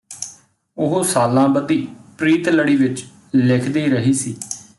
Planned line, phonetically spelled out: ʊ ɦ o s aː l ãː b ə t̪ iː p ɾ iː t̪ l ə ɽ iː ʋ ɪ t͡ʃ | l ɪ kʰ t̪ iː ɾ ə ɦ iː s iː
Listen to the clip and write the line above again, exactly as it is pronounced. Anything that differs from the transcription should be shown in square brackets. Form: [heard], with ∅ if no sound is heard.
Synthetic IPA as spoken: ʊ ɦ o s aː l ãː b ə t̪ iː p ɾ iː t̪ l ə ɽ iː ʋ ɪ t͡ʃ | l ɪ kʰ [d̪] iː ɾ ə ɦ iː s iː